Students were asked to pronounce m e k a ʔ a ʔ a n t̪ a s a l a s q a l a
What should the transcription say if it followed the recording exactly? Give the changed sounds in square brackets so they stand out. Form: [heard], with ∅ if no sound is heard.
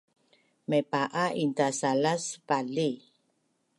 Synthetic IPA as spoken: m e [p] a ʔ a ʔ [i] n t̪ a s a l a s [p] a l [i]